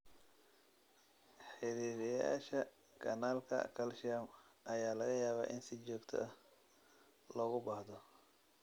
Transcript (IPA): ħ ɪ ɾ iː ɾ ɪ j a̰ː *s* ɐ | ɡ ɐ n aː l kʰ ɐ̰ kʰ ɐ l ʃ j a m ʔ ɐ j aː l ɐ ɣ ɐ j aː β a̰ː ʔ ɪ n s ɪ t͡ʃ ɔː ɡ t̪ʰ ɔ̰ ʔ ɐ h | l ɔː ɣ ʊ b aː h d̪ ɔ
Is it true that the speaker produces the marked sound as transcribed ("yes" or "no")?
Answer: no